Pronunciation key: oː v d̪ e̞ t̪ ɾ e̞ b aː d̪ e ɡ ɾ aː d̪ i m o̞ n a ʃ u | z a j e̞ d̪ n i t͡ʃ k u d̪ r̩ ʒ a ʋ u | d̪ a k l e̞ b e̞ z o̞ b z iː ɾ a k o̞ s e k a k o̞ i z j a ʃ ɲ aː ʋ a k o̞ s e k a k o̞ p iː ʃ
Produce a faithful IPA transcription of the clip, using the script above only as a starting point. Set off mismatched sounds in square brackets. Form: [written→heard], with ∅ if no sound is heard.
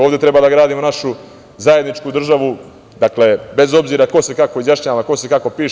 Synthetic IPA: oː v d̪ e̞ t̪ ɾ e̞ b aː d̪ [e→a] ɡ ɾ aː d̪ i m o̞ n a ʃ u | z a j e̞ d̪ n i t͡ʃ k u d̪ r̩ ʒ a ʋ u | d̪ a k l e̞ b e̞ z o̞ b z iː ɾ a k o̞ s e k a k o̞ i z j a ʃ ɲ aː ʋ a k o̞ s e k a k o̞ p iː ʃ